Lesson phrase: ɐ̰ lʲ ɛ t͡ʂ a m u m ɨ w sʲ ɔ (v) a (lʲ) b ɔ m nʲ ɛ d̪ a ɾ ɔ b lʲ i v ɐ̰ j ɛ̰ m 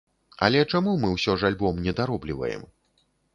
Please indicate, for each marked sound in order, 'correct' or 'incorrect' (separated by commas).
incorrect, correct